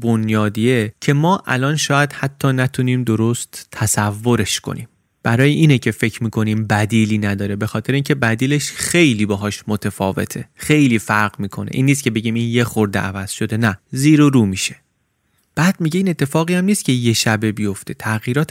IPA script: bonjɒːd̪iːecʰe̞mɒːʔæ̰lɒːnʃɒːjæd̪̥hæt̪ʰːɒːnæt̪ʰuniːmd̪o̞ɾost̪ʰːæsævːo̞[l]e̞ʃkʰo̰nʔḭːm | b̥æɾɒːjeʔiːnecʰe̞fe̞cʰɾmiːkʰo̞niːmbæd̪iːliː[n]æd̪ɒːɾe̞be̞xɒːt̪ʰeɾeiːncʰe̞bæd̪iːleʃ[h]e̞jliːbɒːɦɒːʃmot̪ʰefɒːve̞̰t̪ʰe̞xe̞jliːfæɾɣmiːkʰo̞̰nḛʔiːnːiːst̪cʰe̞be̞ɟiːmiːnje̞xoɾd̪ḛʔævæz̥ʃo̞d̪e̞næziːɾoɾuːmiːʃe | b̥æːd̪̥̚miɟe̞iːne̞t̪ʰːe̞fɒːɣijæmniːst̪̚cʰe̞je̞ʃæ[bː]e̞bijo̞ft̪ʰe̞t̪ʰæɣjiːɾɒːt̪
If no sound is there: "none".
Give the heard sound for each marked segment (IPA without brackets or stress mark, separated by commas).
ɾ, n, x, b